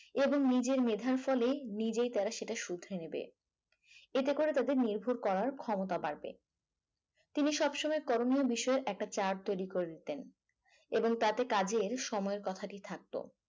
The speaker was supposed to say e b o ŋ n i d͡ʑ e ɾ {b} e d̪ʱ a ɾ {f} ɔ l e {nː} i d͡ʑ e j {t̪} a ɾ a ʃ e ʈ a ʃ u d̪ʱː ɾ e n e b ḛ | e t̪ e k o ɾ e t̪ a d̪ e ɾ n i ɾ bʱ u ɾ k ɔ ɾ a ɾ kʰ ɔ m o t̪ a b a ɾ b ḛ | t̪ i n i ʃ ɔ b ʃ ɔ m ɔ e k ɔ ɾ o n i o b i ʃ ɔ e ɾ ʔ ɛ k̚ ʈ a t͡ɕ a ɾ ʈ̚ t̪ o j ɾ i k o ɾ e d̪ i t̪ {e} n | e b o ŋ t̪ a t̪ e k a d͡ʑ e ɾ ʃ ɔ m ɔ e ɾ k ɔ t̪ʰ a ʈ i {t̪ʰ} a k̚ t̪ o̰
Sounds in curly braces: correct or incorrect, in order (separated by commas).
incorrect, correct, incorrect, correct, correct, correct